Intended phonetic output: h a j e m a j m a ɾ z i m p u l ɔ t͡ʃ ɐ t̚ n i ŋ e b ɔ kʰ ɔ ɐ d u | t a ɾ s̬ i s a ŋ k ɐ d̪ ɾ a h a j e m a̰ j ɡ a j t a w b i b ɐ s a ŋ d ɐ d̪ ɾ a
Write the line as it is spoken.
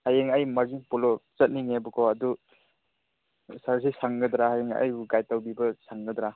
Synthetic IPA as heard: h a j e ŋ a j m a ɾ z i ŋ p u l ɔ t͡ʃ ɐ t̚ n i ŋ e b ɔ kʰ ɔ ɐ d u | s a ɾ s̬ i s a ŋ ɡ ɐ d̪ ɾ a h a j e ŋ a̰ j ɡ a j t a w b i b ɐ s a ŋ ɡ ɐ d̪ ɾ a

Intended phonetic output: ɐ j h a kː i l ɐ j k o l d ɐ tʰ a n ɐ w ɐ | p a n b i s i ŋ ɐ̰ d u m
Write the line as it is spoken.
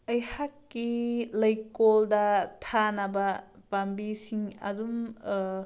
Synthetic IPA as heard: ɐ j h a kː i l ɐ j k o l d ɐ tʰ a n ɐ b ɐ | p a m b i s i ŋ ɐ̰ d u m

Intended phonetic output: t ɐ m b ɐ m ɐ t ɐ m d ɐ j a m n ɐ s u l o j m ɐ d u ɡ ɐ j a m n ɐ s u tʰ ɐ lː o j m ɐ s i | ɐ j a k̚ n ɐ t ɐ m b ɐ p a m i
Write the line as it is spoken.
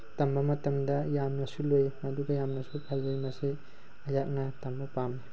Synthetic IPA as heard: t ɐ m b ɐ m ɐ t ɐ m d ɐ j a m n ɐ s u l o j m ɐ d u ɡ ɐ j a m n ɐ s u pʰ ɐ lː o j m ɐ s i | ɐ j a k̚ n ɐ t ɐ m b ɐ p a m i

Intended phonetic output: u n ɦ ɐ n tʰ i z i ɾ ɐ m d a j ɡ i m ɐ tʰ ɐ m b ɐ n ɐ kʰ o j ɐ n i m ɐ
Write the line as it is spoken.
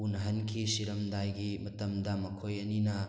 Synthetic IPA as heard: u n ɦ ɐ n kʰ i s i ɾ ɐ m d a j ɡ i m ɐ t ɐ m d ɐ m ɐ kʰ o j ɐ n i n ɐ

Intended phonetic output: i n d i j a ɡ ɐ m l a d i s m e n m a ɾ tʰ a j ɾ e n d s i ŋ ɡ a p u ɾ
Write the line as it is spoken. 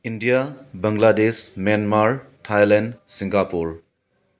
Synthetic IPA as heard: i n d i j a b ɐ ŋ l a d e s m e n m a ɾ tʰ a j l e n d s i ŋ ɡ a p u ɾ

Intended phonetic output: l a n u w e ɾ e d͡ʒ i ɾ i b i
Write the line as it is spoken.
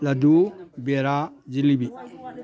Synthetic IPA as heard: l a d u b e ɾ a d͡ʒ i l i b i

